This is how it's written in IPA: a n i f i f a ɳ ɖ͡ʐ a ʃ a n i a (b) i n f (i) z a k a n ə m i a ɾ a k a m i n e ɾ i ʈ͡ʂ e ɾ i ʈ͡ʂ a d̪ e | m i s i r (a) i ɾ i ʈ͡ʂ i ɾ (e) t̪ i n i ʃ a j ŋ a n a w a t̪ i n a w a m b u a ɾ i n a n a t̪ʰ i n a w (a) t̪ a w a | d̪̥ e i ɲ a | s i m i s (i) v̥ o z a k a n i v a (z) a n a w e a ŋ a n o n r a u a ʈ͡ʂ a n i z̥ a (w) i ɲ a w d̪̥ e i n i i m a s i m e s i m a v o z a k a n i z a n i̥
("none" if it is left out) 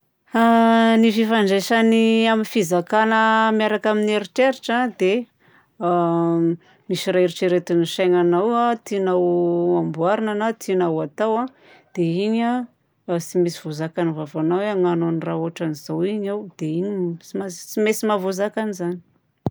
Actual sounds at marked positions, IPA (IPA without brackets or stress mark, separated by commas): m, i, a, e, a, i, v, w